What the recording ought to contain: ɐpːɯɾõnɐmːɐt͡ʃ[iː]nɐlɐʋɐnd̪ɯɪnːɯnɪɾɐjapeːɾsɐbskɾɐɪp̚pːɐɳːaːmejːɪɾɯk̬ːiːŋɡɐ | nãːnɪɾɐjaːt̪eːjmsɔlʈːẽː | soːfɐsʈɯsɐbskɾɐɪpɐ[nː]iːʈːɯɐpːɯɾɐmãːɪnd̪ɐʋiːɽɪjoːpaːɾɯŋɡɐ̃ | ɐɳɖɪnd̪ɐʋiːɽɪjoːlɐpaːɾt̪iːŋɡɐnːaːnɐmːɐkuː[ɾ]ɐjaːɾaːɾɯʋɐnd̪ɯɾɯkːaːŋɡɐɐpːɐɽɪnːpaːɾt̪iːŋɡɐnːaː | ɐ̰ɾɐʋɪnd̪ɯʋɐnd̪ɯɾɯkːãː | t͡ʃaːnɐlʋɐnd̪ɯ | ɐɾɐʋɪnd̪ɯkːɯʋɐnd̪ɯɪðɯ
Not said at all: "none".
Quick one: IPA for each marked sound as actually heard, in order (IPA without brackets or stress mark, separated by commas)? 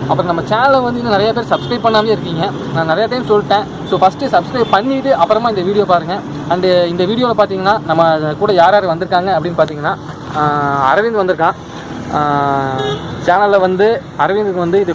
aː, ɳː, ɽ